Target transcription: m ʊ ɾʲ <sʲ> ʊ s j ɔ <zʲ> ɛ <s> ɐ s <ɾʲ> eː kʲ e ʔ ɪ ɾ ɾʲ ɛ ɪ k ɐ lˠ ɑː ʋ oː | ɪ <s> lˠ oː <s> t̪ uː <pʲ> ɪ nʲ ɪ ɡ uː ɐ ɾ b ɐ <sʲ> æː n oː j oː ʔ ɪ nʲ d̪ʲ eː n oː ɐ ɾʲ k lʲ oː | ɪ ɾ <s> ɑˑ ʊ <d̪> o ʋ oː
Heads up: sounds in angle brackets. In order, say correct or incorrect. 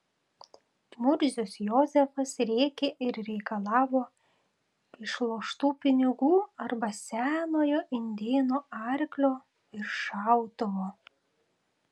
incorrect: zʲ, correct, incorrect: f, correct, incorrect: ʃ, incorrect: ʃ, correct, correct, incorrect: ʃ, incorrect: t̪

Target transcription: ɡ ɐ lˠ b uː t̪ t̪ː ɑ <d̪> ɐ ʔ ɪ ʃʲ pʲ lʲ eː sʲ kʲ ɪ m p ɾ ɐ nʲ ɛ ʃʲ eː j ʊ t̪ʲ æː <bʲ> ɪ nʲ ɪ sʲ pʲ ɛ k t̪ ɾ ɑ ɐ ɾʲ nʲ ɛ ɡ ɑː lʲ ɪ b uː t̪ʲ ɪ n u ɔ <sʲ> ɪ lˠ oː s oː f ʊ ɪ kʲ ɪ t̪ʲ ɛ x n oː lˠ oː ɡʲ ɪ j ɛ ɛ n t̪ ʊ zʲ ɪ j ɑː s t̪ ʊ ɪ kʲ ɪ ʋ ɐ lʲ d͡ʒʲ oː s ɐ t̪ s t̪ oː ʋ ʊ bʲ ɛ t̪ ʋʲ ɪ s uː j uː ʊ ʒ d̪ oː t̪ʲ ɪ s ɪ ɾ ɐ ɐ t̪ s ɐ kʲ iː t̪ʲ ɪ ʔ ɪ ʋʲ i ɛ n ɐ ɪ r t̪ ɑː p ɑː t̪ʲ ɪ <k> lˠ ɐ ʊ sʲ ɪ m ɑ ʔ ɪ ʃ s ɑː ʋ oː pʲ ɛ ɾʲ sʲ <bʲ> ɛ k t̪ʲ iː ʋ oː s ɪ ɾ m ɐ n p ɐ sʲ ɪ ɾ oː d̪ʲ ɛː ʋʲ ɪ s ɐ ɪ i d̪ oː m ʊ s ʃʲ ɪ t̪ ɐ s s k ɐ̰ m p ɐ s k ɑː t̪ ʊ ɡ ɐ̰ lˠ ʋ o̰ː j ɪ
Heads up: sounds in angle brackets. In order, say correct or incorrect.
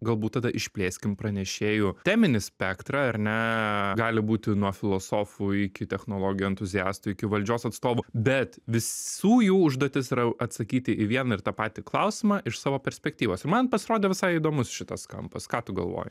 correct, incorrect: mʲ, incorrect: fʲ, correct, incorrect: pʲ

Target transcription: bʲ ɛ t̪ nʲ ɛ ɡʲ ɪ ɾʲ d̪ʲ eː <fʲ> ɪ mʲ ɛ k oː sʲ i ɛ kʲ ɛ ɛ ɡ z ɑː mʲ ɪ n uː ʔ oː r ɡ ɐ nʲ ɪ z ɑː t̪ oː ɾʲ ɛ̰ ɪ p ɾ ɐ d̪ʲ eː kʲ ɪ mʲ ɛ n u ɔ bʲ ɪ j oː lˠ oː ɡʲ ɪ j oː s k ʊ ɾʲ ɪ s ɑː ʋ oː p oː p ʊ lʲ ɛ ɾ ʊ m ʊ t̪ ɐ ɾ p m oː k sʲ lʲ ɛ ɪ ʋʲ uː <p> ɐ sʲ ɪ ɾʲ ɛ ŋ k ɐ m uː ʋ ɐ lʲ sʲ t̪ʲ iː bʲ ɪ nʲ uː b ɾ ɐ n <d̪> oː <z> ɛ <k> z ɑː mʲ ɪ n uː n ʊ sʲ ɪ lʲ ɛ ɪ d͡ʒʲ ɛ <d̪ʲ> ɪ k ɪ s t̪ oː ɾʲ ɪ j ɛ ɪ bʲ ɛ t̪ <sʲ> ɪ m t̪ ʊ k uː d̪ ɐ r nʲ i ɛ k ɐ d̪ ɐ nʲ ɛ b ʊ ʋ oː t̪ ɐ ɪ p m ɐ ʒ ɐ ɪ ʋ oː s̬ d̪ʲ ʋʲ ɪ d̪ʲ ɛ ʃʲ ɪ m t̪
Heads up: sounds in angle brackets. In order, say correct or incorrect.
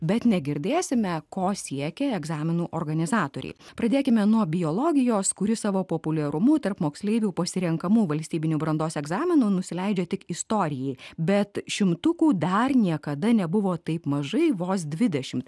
incorrect: sʲ, correct, correct, incorrect: s, incorrect: ɡ, incorrect: t̪ʲ, incorrect: ʃʲ

